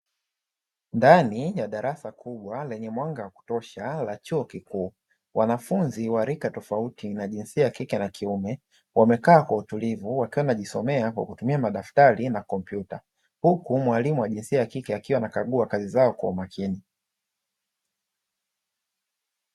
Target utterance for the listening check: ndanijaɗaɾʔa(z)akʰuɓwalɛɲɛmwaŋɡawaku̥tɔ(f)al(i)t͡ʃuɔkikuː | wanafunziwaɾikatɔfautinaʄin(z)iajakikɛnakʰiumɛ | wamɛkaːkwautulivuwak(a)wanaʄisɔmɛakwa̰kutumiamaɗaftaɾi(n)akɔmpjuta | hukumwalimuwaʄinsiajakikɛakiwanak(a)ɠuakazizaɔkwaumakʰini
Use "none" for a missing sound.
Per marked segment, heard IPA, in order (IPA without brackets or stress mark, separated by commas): s, ʃ, a, s, i, n, a